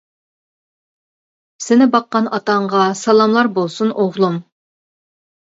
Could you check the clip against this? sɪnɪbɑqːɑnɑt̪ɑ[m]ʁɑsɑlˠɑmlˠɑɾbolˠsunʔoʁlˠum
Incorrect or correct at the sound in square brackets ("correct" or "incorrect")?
incorrect